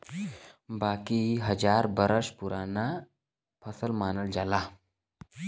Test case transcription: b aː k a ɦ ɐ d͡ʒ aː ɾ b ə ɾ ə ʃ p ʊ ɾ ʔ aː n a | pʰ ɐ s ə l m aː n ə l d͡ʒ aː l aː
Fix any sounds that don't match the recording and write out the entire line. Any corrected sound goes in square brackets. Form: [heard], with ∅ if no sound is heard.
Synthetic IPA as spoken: b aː k [i] ɦ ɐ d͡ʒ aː ɾ b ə ɾ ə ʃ p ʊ ɾ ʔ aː n a | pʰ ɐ s ə l m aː n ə l d͡ʒ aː l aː